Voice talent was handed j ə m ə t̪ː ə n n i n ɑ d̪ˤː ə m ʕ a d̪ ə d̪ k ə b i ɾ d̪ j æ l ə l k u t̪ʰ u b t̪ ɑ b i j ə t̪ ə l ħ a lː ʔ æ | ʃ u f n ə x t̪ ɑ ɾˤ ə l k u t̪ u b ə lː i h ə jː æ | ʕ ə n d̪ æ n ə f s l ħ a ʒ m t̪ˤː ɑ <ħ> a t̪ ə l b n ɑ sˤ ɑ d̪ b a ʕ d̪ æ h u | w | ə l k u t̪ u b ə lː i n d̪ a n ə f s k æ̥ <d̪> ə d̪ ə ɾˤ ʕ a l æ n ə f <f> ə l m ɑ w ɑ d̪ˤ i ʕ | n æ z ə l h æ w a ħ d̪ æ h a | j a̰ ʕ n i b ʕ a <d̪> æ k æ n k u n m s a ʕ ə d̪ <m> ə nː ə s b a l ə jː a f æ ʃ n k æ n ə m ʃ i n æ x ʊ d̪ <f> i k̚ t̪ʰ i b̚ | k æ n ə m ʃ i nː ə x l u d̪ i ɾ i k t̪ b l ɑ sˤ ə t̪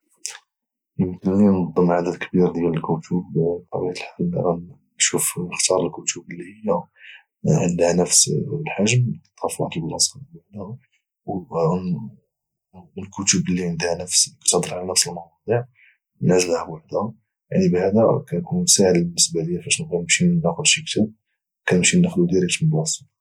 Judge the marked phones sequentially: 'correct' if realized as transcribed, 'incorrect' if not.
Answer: incorrect: f, incorrect: t̪, incorrect: s, correct, incorrect: b, incorrect: ʃ

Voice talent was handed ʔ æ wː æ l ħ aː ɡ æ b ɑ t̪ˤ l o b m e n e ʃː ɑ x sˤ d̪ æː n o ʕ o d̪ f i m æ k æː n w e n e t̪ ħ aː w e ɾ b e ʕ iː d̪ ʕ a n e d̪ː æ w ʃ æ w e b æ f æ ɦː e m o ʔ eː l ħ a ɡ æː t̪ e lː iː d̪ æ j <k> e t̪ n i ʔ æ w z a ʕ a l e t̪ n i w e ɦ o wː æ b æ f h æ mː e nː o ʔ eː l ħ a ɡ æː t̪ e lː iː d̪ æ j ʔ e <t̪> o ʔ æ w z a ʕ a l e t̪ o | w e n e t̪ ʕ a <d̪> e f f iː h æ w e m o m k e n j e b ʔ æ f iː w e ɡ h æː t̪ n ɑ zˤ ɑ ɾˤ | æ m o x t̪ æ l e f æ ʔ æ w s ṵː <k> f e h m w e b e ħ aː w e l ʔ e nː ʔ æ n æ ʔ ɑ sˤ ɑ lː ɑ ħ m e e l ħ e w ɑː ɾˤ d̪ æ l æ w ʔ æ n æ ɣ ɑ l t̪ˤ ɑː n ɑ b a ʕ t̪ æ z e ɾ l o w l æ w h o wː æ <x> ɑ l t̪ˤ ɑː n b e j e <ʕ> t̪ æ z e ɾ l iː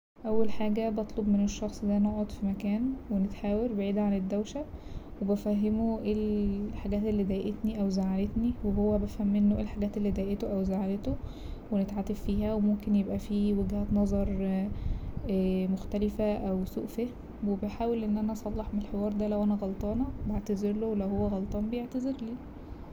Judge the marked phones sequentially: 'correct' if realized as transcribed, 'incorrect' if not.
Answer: incorrect: ʔ, correct, incorrect: t̪, incorrect: ʔ, incorrect: ɣ, correct

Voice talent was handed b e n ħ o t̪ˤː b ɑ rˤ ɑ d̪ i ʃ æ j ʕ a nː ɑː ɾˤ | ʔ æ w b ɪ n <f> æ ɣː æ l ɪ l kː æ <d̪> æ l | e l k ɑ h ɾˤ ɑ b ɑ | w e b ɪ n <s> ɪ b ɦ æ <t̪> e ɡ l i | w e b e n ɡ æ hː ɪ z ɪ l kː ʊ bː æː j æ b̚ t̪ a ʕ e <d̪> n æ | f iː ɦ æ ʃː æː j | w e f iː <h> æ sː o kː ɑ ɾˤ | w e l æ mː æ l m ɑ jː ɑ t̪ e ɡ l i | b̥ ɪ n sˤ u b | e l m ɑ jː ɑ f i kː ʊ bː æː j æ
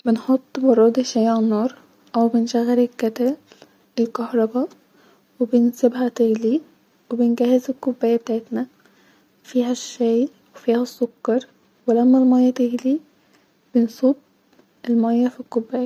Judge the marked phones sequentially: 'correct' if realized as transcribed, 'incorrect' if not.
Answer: incorrect: ʃ, incorrect: t̪, correct, correct, incorrect: t̪, correct

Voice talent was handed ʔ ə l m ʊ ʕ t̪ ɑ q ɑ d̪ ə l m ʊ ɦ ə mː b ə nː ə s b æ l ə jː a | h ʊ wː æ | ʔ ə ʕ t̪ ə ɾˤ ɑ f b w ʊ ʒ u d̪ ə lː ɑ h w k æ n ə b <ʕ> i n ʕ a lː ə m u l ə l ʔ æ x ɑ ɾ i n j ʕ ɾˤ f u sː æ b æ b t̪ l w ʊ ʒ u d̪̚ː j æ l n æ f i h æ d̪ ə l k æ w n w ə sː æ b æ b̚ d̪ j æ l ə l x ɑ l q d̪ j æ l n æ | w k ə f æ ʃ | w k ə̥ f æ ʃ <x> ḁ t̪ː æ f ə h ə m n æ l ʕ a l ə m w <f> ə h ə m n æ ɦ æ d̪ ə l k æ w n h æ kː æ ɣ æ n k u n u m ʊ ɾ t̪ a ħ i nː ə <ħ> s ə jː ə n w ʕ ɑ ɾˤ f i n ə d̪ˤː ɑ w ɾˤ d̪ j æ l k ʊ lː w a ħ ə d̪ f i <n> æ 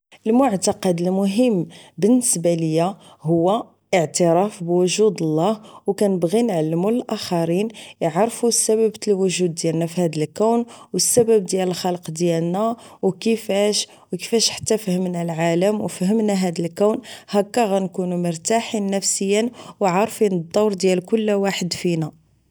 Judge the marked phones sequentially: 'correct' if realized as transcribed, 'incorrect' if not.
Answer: incorrect: ɣ, incorrect: ħ, correct, incorrect: f, correct

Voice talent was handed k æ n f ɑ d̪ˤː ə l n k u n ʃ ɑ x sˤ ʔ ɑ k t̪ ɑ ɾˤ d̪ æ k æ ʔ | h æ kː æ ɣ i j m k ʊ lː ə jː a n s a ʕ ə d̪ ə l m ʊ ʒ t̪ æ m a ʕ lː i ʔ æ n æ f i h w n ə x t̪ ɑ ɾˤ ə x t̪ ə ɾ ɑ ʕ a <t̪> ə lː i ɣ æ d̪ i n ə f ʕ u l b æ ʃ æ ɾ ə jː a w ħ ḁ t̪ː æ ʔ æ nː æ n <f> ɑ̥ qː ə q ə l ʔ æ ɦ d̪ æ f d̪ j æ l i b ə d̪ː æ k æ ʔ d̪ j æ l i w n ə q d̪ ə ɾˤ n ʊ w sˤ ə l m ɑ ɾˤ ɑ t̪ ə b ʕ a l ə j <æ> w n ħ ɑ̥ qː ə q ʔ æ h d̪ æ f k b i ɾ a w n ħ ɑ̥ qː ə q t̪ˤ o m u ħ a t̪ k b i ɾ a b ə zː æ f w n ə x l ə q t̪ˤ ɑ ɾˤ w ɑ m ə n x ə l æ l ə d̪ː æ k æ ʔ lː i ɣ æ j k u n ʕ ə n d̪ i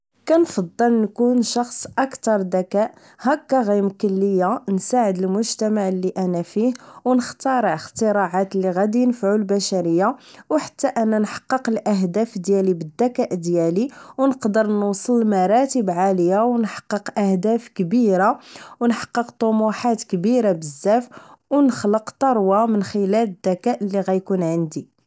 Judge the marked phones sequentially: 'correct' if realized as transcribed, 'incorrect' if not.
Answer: correct, incorrect: ħ, incorrect: a

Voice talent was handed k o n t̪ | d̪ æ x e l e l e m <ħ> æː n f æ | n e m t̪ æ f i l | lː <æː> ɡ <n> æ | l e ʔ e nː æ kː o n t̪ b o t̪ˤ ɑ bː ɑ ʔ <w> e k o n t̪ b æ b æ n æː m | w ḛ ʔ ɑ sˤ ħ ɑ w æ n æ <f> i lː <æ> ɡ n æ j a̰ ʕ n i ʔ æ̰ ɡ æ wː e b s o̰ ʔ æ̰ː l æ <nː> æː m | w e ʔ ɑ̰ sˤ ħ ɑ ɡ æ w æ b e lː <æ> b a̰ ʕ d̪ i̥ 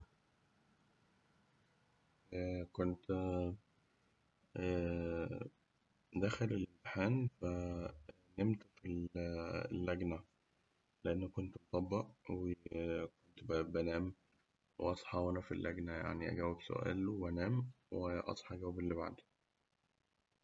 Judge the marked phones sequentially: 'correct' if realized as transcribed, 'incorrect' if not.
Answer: correct, incorrect: æ, correct, correct, correct, correct, incorrect: n, incorrect: i

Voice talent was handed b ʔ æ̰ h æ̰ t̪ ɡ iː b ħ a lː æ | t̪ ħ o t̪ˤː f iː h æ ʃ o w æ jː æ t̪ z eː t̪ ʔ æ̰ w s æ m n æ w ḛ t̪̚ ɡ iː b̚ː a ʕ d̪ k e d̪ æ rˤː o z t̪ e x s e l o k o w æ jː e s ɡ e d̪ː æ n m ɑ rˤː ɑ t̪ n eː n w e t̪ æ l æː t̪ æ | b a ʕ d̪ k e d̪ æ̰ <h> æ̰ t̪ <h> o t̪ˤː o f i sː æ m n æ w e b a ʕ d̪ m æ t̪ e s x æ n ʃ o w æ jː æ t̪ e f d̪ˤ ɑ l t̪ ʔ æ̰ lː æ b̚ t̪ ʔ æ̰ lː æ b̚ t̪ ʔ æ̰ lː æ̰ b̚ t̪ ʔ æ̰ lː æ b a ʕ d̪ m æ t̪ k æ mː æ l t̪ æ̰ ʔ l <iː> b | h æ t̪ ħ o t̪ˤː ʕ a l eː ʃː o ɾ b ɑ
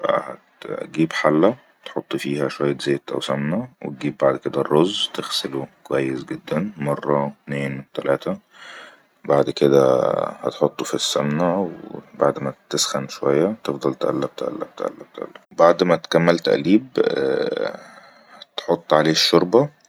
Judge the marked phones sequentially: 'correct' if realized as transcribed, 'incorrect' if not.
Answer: correct, incorrect: ħ, correct

